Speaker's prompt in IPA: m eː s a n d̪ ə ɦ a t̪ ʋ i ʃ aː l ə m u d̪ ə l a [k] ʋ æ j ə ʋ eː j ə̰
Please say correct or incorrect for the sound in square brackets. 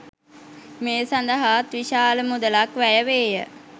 correct